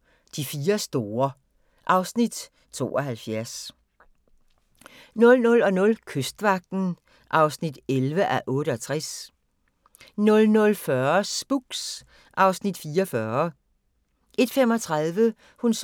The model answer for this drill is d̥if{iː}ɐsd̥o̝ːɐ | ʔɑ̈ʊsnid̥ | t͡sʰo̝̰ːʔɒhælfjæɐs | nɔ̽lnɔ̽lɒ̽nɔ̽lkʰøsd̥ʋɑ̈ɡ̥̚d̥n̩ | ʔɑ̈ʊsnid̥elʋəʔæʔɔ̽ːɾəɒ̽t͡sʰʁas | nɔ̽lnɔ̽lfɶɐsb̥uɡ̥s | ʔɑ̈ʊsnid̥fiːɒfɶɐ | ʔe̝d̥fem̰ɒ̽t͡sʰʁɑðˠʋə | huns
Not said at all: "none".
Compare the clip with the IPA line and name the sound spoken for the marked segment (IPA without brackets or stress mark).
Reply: iː